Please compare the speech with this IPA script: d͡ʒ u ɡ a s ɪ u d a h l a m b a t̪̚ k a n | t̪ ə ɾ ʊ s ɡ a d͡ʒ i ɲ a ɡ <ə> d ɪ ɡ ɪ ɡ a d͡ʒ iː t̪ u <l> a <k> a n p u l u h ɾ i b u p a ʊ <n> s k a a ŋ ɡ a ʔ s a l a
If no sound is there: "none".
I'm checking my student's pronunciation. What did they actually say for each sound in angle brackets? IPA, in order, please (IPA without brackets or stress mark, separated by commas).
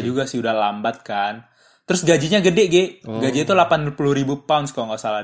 ə, l, p, n